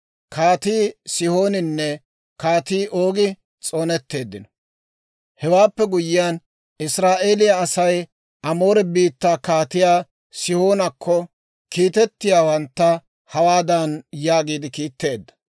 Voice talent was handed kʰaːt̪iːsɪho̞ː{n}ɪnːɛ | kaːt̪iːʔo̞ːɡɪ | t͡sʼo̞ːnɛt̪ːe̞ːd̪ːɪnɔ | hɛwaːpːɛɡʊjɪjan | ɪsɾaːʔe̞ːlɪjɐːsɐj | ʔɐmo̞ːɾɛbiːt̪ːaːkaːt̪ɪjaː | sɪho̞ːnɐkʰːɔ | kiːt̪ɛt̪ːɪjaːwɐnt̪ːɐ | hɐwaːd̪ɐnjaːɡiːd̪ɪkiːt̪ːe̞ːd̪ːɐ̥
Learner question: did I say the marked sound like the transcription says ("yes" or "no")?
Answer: yes